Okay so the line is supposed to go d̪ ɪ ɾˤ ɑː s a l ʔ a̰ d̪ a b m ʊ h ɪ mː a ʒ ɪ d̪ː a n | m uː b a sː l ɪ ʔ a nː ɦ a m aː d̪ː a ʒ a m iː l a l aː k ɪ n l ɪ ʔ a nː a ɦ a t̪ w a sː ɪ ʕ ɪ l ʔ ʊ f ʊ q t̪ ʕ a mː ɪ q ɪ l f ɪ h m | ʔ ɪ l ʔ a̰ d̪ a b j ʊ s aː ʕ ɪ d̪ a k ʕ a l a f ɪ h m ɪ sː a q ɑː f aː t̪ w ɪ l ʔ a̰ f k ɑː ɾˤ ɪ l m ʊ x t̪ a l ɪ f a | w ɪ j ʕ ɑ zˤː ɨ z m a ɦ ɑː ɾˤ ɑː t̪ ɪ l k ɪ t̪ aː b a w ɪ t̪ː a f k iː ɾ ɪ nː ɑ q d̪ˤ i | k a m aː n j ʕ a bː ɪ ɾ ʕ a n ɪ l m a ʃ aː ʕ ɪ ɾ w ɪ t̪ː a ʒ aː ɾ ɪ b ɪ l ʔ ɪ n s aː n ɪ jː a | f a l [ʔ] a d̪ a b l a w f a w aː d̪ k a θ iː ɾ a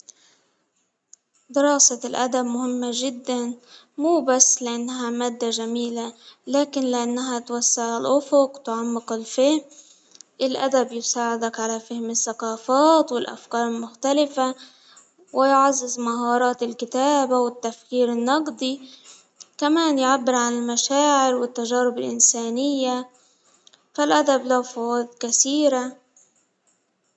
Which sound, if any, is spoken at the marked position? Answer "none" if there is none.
ʔ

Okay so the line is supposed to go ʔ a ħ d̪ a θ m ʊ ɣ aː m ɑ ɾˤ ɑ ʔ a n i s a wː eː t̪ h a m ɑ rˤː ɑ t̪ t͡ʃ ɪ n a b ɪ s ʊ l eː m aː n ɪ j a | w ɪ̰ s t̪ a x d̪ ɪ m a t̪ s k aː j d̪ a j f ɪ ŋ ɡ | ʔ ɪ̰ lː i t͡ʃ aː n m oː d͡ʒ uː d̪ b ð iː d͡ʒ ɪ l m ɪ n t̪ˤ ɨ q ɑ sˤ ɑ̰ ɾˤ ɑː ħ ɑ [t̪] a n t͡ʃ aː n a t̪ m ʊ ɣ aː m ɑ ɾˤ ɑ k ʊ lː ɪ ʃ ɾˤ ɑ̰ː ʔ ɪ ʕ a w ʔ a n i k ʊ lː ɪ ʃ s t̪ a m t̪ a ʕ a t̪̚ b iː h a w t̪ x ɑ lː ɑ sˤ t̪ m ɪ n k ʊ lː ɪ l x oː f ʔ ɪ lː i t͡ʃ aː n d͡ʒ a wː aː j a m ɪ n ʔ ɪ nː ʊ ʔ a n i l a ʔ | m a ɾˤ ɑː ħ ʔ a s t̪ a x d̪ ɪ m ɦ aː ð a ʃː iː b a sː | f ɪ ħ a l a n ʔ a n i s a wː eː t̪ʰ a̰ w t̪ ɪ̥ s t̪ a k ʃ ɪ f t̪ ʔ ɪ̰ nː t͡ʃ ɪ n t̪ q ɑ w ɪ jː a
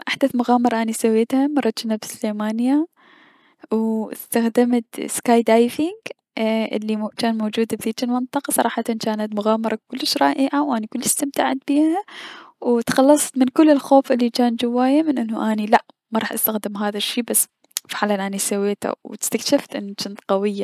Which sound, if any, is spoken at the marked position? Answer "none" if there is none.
t̪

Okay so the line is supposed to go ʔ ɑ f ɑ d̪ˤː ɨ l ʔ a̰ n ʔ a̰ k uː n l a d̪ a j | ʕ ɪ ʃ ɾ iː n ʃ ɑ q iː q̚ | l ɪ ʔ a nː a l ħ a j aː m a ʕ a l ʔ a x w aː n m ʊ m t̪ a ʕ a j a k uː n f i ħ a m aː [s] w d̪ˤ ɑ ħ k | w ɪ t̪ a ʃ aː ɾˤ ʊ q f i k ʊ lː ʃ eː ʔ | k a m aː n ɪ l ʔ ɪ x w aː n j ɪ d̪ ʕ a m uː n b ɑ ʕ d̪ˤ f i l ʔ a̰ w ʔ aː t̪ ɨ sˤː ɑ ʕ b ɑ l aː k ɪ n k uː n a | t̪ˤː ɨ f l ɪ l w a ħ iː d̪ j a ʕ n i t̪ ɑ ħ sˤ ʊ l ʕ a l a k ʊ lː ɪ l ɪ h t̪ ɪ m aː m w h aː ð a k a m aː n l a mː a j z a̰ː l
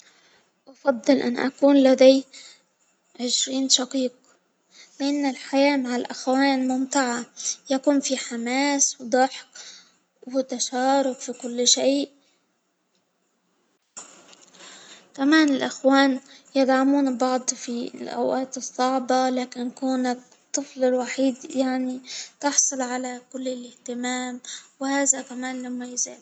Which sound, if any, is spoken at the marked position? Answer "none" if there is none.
s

